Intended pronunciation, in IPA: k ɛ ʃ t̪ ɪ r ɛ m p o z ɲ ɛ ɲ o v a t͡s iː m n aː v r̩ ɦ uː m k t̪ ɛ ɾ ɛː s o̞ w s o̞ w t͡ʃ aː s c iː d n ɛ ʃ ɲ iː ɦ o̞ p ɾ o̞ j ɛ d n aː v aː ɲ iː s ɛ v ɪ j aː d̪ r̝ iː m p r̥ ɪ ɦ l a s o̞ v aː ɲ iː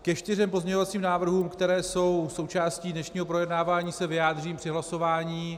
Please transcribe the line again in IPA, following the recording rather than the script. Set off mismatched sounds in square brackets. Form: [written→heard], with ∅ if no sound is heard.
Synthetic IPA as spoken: k ɛ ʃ t̪ ɪ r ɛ m p o z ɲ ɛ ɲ o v a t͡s iː m n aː v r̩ ɦ uː m k t̪ ɛ ɾ ɛː s o̞ w s o̞ w t͡ʃ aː s c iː d n ɛ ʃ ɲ iː ɦ o̞ p ɾ o̞ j ɛ d n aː v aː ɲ iː s ɛ v ɪ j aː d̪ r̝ iː m p r̥ ɪ ɦ l a s o̞ v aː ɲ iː

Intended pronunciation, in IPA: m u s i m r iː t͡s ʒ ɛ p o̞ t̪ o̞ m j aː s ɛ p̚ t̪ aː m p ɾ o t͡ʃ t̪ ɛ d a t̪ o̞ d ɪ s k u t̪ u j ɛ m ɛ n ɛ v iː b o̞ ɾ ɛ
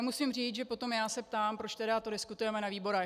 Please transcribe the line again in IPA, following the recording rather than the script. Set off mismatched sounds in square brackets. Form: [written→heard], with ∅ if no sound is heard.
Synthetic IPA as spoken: m u s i m r iː t͡s ʒ ɛ p o̞ t̪ o̞ m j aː s ɛ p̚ t̪ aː m p ɾ o t͡ʃ t̪ ɛ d a t̪ o̞ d ɪ s k u t̪ u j ɛ m ɛ n [ɛ→a] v iː b o̞ ɾ ɛ

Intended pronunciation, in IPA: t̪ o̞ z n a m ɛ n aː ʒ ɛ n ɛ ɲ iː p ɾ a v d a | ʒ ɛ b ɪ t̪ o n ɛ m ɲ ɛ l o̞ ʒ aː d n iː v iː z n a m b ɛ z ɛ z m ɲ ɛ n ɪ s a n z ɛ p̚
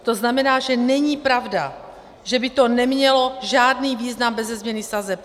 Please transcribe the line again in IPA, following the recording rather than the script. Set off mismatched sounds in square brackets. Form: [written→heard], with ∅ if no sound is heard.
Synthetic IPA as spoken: t̪ o̞ z n a m ɛ n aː ʒ ɛ n ɛ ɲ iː p ɾ a v d a | ʒ ɛ b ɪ t̪ o n ɛ m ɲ ɛ l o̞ ʒ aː d n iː v iː z n a m b ɛ z ɛ z m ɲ ɛ n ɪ s a [n→∅] z ɛ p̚

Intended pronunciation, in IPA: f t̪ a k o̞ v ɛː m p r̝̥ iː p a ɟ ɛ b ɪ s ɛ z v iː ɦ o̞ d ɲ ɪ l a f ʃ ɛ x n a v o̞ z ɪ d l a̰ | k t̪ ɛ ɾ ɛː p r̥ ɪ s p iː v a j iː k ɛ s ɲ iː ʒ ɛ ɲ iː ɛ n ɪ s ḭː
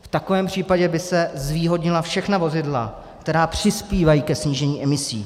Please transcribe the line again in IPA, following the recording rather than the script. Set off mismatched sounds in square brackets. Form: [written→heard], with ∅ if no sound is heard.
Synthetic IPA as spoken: f t̪ a k o̞ v ɛː m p r̝̥ iː p a ɟ ɛ b ɪ s ɛ z v iː ɦ o̞ d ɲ ɪ l a f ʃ ɛ x n a v o̞ z ɪ d l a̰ | k t̪ ɛ ɾ [ɛː→aː] p r̥ ɪ s p iː v a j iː k ɛ s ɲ iː ʒ ɛ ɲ iː ɛ [n→m] ɪ s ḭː

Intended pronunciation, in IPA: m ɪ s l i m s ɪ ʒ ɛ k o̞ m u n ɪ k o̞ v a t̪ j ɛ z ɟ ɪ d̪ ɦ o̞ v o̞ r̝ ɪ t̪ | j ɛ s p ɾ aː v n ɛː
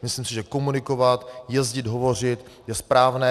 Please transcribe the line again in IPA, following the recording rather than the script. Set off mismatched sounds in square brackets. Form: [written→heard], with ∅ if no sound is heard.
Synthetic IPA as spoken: m ɪ s l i m s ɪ ʒ ɛ k o̞ m u n ɪ k o̞ v a t̪ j ɛ z ɟ ɪ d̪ ɦ o̞ v o̞ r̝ ɪ t̪ | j ɛ s p ɾ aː v n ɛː

